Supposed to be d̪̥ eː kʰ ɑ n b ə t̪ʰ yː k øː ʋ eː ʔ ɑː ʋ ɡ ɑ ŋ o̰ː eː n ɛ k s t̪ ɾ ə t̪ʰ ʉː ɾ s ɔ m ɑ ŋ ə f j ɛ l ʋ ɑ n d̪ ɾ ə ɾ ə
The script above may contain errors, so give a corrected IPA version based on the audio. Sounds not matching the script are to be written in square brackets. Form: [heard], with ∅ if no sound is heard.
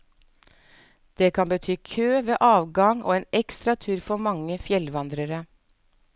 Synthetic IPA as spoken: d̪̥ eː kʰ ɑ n b ə t̪ʰ yː [kʰ] øː ʋ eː ʔ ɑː ʋ ɡ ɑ ŋ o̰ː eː n ɛ k s t̪ ɾ [ɑ] t̪ʰ ʉː ɾ [f] ɔ m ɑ ŋ ə f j ɛ l ʋ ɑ n d̪ ɾ ə ɾ ə